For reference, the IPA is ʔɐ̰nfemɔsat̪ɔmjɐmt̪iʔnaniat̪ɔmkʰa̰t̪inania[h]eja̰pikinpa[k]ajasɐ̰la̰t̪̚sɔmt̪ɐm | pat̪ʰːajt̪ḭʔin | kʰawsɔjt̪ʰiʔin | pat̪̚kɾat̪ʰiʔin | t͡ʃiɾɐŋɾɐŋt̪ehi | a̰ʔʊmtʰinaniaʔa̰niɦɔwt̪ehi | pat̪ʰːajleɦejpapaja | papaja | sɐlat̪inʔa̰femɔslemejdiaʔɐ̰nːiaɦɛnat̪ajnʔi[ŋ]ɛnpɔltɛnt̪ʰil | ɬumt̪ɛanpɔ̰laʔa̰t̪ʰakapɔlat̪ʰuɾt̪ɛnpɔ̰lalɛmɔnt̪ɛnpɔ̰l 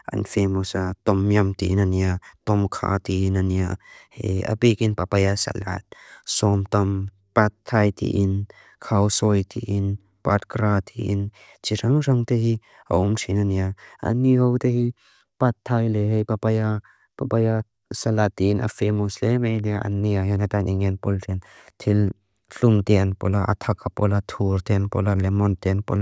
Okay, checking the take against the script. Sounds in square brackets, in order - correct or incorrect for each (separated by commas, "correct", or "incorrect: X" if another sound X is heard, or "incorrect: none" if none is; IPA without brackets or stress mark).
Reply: correct, incorrect: p, correct